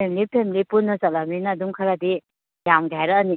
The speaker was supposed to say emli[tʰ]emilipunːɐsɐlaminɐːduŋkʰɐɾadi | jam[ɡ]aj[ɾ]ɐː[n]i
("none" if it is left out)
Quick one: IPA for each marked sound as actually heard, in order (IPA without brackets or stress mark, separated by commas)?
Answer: pʰ, ɡ, ɾ, n